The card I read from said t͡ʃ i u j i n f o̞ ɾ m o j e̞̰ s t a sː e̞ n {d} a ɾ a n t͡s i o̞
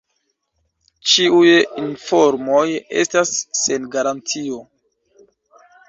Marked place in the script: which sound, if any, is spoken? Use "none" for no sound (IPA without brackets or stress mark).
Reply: ɡ